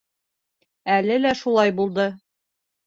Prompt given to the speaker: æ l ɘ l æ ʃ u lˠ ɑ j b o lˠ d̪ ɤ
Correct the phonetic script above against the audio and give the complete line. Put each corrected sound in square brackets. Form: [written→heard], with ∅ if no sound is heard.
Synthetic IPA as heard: æ l ɘ l æ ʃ u lˠ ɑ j b [o→u] lˠ d̪ ɤ